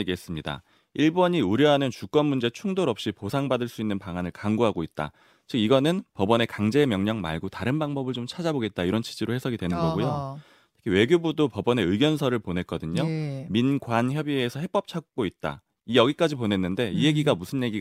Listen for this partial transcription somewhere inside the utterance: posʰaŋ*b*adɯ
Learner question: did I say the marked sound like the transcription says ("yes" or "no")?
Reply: yes